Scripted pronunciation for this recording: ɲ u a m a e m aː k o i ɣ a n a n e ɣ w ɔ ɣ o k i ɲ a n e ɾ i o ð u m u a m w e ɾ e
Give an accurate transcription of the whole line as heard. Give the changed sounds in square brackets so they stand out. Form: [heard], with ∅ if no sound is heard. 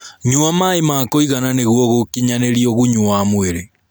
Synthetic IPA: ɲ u a m a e m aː k o i ɣ a n a n e ɣ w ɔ ɣ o k i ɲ a n e ɾ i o [ɣ] u [ɲ] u a m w e ɾ e